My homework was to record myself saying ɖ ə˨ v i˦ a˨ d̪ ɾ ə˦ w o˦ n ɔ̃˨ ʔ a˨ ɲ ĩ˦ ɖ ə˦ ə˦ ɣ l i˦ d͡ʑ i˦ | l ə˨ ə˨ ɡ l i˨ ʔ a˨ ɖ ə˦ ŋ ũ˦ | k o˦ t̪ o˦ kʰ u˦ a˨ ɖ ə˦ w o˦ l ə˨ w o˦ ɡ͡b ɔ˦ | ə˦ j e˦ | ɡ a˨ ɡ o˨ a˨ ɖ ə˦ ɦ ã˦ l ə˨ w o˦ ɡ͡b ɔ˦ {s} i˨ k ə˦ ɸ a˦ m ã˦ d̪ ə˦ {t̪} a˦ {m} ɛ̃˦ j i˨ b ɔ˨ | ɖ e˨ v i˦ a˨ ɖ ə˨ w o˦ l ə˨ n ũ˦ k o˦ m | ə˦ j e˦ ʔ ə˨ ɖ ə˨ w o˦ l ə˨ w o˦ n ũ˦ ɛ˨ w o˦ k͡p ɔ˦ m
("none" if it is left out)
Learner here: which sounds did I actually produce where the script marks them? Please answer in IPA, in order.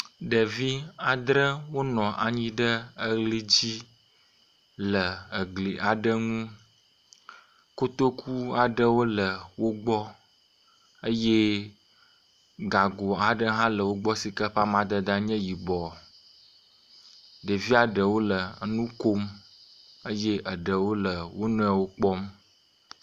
s, d̪, ɲ

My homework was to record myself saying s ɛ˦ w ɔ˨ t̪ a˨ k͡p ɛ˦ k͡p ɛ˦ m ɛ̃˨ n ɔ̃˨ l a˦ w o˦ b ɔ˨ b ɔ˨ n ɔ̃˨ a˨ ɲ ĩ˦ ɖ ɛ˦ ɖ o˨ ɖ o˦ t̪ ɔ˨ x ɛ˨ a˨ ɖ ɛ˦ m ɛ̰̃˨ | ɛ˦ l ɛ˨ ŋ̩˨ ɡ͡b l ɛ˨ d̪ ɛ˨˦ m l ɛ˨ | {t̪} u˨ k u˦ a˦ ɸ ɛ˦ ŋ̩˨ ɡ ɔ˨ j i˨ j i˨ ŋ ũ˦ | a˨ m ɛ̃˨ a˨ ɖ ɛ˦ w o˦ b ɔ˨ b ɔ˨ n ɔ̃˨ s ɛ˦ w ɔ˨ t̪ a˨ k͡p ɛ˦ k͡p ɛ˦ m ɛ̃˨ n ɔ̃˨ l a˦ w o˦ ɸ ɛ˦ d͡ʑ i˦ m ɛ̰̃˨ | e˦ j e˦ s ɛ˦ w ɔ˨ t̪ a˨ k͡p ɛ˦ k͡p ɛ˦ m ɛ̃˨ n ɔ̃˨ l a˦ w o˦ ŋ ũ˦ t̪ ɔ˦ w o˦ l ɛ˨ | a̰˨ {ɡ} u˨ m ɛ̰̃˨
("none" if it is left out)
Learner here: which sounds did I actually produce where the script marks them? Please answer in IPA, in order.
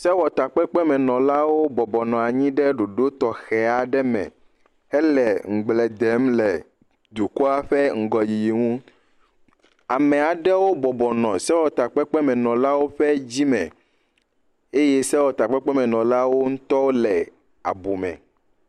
d̪, b

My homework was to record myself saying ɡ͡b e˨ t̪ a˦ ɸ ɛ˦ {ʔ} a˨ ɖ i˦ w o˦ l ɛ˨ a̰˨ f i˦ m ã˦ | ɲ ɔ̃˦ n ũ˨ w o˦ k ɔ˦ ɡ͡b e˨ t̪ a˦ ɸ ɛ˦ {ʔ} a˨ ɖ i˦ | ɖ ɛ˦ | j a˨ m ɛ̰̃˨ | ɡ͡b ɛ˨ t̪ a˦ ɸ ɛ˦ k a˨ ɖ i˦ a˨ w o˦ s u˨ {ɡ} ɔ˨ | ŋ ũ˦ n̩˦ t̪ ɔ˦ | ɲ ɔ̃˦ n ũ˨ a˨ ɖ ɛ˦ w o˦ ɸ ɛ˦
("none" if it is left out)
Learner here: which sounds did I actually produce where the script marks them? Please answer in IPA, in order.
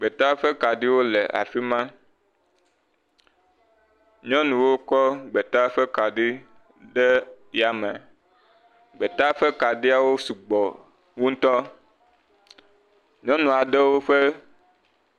k, k, ɡ͡b

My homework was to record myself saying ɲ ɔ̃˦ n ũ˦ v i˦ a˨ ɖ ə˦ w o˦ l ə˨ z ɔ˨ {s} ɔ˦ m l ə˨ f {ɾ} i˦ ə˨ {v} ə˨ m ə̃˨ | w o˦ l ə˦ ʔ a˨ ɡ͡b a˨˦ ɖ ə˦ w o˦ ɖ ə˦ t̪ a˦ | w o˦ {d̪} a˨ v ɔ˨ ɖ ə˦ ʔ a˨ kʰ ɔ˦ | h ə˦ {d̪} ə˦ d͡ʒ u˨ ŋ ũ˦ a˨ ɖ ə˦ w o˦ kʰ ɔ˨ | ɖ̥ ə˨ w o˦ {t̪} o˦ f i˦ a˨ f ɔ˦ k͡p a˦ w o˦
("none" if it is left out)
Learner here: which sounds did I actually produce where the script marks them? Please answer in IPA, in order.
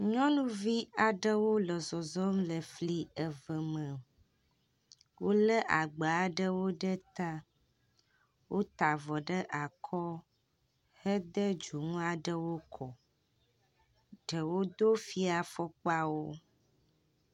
z, l, v, t̪, d̪, d̪

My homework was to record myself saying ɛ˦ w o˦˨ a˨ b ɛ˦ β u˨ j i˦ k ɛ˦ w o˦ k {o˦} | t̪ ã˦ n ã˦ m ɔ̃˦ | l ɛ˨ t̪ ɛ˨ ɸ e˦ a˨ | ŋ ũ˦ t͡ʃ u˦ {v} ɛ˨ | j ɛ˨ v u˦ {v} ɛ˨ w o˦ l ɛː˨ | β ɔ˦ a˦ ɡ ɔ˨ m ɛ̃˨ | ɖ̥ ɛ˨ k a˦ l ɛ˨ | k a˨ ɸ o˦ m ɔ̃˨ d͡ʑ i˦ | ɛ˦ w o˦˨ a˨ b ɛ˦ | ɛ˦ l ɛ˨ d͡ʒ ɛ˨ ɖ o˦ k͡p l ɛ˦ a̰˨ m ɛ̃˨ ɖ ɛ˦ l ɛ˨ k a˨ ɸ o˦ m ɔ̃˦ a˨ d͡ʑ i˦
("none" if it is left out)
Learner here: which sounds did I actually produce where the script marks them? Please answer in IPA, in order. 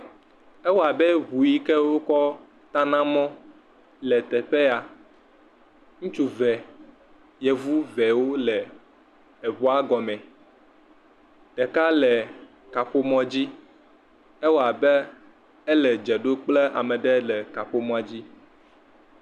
ɔ˦, v, v

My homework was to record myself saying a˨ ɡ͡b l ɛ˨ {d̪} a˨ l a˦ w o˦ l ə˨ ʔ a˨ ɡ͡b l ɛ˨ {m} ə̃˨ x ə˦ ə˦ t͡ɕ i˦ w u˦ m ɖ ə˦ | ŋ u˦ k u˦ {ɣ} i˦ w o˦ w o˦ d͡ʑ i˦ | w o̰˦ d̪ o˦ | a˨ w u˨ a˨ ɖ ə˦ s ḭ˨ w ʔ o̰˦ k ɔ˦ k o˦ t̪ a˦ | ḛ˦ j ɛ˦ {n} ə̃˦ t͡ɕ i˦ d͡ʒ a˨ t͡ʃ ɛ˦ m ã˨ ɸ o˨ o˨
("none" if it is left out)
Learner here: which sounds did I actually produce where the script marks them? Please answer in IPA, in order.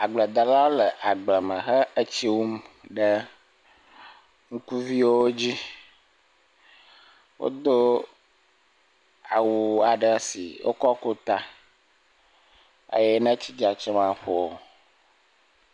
d̪, m, v, n

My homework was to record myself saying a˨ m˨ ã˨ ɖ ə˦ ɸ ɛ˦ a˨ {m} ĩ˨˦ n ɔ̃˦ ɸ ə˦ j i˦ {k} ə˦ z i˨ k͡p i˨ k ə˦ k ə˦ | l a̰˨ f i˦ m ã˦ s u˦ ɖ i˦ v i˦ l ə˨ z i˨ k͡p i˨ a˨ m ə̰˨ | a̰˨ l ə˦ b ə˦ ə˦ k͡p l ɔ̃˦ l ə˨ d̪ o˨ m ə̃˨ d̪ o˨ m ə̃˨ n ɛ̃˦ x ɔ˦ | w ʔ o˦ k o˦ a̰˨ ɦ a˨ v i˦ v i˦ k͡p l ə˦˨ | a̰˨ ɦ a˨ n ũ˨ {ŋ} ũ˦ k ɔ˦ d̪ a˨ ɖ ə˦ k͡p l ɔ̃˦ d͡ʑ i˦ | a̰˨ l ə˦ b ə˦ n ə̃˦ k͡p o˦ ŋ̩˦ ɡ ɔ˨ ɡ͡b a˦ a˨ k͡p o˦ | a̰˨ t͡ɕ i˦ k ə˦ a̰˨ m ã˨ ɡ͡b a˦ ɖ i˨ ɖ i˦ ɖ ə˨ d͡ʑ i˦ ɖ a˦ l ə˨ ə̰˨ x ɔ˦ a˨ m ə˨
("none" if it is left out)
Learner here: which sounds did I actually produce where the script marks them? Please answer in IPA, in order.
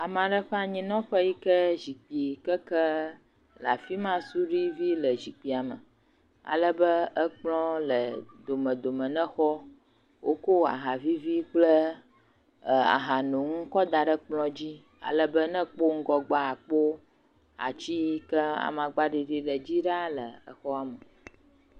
ɲ, k, ŋ

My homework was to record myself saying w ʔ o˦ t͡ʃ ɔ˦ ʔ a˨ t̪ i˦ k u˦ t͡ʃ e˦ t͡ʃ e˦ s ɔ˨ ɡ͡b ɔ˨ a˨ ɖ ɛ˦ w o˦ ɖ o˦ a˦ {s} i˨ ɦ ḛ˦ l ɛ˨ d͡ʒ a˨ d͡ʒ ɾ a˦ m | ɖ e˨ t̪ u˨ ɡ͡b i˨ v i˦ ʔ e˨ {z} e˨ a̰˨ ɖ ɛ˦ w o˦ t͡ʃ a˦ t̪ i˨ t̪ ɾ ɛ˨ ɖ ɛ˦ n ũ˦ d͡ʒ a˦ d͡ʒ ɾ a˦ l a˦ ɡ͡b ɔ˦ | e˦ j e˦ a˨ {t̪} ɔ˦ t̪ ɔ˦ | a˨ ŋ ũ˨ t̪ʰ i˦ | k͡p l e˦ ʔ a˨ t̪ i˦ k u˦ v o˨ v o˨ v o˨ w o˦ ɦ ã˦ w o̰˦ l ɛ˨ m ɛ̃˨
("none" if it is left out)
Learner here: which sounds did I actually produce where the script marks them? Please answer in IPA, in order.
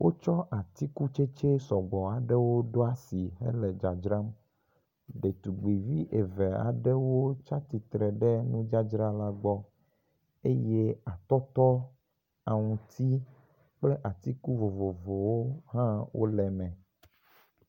s, v, t̪

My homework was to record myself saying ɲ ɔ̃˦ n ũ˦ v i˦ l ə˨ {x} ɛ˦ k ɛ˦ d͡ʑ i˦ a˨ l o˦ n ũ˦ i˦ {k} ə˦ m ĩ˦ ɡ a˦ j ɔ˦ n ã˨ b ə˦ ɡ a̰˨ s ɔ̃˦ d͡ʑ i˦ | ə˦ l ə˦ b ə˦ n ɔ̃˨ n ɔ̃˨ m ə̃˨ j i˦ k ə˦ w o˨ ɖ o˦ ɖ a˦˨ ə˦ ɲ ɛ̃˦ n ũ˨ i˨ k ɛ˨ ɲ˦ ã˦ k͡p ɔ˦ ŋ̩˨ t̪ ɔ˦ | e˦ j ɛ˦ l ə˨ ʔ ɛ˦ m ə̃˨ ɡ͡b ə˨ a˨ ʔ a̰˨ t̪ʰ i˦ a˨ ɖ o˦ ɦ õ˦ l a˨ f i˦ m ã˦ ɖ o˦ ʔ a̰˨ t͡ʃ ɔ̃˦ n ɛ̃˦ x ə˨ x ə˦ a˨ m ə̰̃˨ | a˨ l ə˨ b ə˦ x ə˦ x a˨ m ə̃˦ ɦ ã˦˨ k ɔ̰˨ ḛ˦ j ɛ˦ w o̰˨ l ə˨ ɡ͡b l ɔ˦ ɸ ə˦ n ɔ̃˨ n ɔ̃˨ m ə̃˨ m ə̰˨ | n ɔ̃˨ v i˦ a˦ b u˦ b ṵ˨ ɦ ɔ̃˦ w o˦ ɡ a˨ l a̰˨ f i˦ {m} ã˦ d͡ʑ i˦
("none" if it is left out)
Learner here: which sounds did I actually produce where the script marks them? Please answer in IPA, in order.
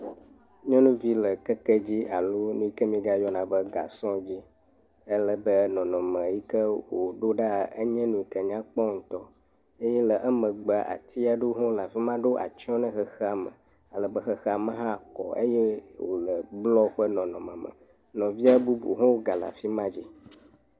k, k, m

